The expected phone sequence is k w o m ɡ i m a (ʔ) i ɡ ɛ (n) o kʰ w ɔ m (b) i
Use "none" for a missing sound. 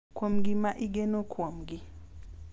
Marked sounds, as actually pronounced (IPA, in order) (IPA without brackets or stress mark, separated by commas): ʔ, n, ɡ